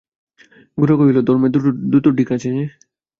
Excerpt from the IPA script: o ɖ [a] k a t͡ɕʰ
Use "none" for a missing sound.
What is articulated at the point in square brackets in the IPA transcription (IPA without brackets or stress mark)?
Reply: i